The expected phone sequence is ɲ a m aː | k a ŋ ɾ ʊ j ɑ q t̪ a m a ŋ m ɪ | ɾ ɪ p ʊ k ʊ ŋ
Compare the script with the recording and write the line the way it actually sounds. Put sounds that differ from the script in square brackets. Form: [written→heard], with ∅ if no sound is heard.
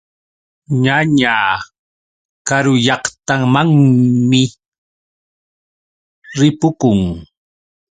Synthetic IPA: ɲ a [m→ɲ] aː | k a [ŋ→∅] ɾ ʊ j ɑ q t̪ a m a ŋ m ɪ | ɾ ɪ p ʊ k ʊ ŋ

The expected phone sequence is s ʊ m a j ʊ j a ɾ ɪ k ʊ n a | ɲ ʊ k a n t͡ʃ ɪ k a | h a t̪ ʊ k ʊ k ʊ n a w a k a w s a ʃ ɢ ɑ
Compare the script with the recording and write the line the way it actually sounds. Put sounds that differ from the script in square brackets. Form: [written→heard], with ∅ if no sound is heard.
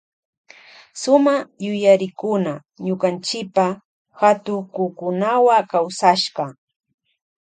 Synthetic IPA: s ʊ m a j ʊ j a ɾ ɪ k ʊ n a | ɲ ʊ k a n t͡ʃ ɪ [k→p] a | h a t̪ ʊ k ʊ k ʊ n a w a k a w s a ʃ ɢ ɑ

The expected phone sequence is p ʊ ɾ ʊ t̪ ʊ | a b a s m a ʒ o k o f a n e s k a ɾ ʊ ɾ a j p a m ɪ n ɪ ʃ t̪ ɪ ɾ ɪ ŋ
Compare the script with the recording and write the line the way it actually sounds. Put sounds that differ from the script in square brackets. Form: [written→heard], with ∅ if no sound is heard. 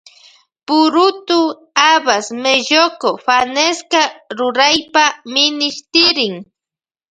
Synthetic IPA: p ʊ ɾ ʊ t̪ ʊ | a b a s m [a→e] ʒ o k o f a n e s k a ɾ ʊ ɾ a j p a m ɪ n ɪ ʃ t̪ ɪ ɾ ɪ ŋ

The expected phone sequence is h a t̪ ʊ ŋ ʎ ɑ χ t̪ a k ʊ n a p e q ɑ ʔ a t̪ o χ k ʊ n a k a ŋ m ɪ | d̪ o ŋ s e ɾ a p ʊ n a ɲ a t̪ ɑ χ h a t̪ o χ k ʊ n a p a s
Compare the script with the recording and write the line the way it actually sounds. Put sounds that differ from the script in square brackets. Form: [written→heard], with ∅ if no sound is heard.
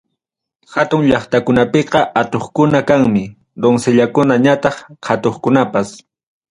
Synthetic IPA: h a t̪ ʊ ŋ ʎ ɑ χ t̪ a k ʊ n a p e q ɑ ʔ a t̪ o χ k ʊ n a k a ŋ m ɪ | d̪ o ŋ s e [ɾ→ʎ] a [p→k] ʊ n a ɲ a t̪ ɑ χ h a t̪ o χ k ʊ n a p a s

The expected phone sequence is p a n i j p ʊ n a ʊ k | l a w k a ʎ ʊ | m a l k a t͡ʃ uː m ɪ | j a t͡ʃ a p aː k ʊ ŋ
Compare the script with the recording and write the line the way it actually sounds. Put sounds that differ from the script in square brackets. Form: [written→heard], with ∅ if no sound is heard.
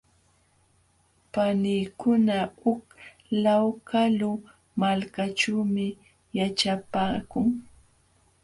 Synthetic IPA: p a n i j [p→k] ʊ n a ʊ k | l a w k a [ʎ→l] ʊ | m a l k a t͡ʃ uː m ɪ | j a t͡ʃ a p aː k ʊ ŋ

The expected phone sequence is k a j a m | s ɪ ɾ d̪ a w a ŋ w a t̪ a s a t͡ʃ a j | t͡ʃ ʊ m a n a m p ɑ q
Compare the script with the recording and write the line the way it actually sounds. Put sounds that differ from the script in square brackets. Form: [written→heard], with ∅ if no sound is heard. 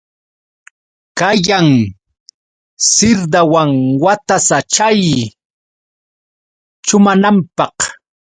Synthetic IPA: k a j a [m→ŋ] | s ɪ ɾ d̪ a w a ŋ w a t̪ a s a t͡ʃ a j | t͡ʃ ʊ m a n a m p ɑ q

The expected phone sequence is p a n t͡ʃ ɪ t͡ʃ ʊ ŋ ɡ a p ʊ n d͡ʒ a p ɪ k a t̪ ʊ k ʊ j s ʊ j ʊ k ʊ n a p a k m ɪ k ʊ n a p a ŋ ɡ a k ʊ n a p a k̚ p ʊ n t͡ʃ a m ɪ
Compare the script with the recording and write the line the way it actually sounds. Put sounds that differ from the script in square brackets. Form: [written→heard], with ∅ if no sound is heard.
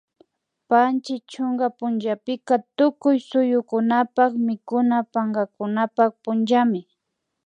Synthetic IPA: p a n t͡ʃ ɪ t͡ʃ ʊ ŋ ɡ a p ʊ n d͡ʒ a p ɪ k a t̪ ʊ k ʊ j s ʊ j ʊ k ʊ n a p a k m ɪ k ʊ n a p a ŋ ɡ a k ʊ n a p a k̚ p ʊ n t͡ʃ a m ɪ

